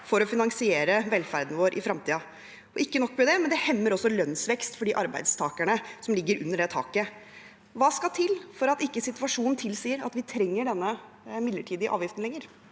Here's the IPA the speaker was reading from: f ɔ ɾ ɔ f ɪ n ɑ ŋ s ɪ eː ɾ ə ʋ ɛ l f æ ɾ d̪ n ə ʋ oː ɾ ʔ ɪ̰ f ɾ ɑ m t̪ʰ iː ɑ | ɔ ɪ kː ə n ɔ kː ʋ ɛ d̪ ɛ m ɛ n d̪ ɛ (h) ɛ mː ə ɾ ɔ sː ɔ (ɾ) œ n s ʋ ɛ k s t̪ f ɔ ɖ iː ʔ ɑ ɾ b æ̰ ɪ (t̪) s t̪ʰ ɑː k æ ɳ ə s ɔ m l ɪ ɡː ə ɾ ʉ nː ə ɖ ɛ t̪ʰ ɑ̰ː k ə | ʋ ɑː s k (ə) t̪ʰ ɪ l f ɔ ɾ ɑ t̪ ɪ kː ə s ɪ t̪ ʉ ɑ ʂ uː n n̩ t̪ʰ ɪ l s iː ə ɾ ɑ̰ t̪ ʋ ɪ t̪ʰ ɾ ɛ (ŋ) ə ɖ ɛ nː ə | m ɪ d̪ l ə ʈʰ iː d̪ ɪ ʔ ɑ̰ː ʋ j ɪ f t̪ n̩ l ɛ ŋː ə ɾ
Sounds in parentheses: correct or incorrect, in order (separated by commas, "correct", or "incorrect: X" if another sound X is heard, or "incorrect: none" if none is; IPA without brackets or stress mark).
correct, incorrect: l, incorrect: d̪, incorrect: ɑ, incorrect: ŋː